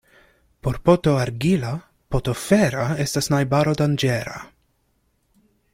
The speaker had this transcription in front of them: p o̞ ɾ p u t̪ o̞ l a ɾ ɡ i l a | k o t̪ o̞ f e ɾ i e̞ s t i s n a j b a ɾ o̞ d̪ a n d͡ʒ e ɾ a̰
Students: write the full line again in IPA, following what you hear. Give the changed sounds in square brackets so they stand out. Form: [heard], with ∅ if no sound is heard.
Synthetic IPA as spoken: p o̞ ɾ p [o] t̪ o̞ [∅] a ɾ ɡ i l a | [p] o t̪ o̞ f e ɾ [a] e̞ s t [a] s n a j b a ɾ o̞ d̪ a n d͡ʒ e ɾ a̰